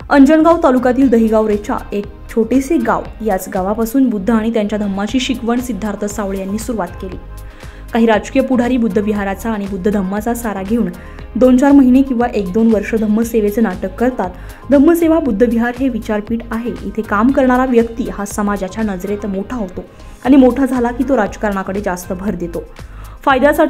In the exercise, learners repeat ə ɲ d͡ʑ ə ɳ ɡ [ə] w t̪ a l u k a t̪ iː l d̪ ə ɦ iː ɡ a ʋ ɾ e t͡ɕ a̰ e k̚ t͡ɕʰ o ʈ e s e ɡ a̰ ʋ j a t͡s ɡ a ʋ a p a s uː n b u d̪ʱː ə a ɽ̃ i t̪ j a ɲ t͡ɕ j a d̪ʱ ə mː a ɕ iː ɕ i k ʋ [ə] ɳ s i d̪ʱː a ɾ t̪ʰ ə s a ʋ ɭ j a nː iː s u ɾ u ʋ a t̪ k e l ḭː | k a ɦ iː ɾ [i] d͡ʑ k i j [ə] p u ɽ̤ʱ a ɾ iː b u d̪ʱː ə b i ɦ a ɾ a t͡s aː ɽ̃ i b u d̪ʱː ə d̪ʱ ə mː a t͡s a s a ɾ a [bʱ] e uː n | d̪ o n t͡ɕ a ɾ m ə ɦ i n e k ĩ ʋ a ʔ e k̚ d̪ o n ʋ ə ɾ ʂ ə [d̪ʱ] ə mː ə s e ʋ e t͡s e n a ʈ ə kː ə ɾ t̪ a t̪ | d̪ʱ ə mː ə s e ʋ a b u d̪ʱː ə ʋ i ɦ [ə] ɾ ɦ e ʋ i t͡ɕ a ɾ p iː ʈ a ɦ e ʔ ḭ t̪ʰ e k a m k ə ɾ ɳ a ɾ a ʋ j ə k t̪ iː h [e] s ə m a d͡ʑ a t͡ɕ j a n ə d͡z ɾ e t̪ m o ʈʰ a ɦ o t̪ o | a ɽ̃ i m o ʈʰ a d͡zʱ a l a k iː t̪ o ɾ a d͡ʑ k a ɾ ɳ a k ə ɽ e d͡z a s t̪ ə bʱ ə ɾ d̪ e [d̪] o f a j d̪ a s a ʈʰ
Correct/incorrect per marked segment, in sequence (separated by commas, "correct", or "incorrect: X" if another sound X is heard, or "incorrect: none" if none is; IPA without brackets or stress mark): incorrect: a, correct, incorrect: a, correct, incorrect: ɡʱ, correct, incorrect: a, incorrect: a, incorrect: t̪